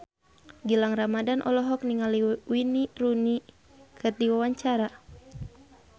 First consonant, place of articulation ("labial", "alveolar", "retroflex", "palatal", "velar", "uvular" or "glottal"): velar